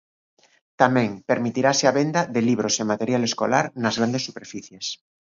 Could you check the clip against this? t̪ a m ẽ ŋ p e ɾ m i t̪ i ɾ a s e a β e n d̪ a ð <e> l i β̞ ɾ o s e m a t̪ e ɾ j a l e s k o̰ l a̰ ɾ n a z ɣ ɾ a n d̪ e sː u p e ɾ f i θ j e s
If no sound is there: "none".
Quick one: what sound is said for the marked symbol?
e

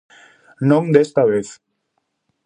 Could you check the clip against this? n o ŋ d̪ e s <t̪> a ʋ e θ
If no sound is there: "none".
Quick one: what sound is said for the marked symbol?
t̪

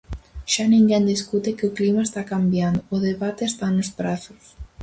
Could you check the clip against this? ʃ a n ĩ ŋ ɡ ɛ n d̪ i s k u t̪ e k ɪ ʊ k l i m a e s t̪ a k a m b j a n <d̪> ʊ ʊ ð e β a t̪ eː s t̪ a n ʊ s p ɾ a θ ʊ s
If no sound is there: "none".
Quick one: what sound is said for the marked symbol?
d̪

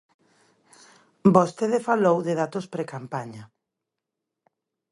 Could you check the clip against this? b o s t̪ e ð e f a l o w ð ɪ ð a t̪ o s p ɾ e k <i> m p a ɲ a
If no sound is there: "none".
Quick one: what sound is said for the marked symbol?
a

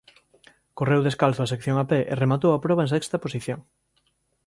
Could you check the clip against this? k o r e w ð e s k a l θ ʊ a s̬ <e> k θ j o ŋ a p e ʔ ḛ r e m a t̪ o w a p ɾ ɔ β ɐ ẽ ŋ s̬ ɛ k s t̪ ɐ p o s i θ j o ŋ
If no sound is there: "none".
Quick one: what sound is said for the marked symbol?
e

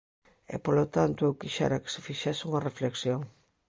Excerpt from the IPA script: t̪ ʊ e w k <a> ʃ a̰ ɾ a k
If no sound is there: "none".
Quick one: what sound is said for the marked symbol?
i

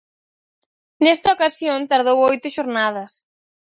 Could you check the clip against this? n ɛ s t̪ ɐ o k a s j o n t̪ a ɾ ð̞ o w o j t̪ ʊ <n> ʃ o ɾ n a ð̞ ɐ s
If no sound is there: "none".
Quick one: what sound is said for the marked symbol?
none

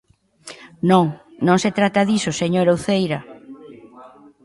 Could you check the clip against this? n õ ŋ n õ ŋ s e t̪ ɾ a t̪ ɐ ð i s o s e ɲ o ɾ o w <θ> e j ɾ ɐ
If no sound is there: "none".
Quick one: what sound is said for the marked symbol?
θ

